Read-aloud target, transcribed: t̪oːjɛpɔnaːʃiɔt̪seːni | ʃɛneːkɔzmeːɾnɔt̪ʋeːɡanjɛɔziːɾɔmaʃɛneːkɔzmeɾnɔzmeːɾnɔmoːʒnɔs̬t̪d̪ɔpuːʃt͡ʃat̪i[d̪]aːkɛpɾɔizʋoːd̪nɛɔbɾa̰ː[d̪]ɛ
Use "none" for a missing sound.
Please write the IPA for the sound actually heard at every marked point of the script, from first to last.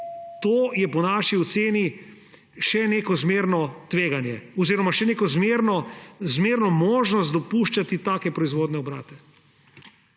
t̪, t̪

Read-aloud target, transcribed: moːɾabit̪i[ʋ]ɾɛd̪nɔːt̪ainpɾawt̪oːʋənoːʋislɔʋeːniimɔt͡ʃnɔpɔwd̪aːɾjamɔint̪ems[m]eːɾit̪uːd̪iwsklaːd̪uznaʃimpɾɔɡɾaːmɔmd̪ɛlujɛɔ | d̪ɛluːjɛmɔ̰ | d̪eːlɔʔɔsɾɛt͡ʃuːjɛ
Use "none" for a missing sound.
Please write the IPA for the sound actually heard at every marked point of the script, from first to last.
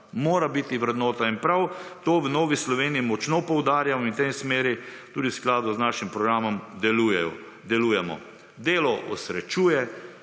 ʋ, m

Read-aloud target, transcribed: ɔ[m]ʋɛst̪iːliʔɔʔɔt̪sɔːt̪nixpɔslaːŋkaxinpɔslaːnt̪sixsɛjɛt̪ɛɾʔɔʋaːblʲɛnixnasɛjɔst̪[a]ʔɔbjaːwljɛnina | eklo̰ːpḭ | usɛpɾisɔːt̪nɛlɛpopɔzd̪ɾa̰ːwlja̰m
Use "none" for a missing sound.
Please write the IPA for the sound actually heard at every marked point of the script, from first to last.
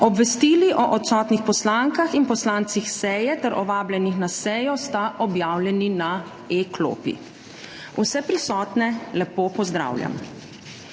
b, a

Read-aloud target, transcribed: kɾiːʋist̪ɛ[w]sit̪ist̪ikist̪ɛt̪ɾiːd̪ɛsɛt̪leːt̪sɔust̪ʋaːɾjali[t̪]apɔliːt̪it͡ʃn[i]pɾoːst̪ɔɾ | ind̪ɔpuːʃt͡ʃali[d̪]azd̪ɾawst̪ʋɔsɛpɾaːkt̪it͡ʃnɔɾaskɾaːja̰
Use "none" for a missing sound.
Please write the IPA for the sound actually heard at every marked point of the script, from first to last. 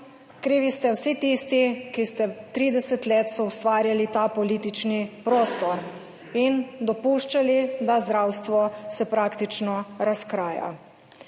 w, t̪, i, d̪

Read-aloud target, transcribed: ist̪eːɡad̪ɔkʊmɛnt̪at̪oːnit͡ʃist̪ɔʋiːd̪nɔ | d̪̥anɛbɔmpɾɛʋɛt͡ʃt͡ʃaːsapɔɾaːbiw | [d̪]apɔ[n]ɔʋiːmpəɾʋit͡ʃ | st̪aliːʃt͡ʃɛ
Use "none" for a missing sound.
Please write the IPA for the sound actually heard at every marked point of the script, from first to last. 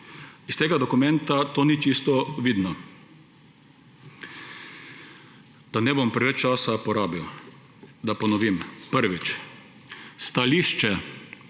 d̪, n

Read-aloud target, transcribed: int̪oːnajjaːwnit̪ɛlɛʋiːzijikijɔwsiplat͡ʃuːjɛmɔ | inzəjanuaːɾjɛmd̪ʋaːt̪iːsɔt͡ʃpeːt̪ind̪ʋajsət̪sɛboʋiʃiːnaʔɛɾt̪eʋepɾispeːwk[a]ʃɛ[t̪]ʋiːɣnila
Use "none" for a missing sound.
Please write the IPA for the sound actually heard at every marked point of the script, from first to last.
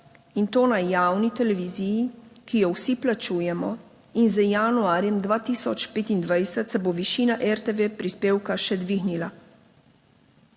a, d̪

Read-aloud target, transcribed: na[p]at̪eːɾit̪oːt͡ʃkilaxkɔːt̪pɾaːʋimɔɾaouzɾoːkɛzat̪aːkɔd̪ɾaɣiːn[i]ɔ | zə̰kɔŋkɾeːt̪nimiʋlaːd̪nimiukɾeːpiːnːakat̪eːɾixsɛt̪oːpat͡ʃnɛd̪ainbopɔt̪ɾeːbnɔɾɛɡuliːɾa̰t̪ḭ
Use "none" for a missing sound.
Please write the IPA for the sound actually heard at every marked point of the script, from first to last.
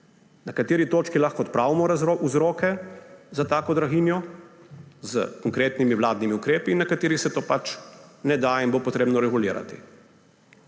k, j

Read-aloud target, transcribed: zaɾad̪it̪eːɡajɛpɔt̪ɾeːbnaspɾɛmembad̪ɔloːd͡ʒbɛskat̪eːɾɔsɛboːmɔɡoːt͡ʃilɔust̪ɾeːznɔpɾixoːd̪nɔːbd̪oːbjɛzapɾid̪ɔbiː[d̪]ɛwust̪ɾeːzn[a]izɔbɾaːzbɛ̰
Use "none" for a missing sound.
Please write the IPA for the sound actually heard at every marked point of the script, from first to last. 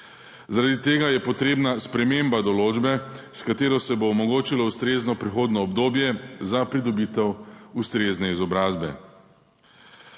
t̪, ɛ

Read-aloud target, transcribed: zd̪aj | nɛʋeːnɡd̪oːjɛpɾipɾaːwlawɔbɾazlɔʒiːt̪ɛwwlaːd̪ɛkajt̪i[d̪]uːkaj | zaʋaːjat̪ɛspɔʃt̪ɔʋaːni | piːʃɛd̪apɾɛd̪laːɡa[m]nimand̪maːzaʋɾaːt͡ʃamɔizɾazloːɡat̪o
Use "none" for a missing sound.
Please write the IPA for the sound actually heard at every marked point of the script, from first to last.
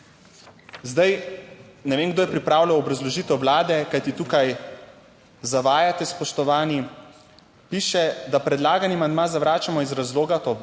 t̪, none

